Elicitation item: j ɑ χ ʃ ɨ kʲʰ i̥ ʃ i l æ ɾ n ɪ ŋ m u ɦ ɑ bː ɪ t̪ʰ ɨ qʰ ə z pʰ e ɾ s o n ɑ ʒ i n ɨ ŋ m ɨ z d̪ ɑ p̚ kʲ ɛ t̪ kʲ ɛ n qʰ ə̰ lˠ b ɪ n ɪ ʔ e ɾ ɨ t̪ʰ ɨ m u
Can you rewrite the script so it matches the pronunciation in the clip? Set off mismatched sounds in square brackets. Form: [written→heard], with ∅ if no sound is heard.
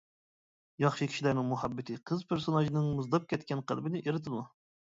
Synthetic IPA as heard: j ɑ χ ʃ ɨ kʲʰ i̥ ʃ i l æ ɾ n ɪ ŋ m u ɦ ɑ bː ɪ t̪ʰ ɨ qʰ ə z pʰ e ɾ s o n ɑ ʒ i n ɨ ŋ m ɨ z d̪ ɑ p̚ kʲ ɛ t̪ kʲ ɛ n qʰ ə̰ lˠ b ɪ n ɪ ʔ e ɾ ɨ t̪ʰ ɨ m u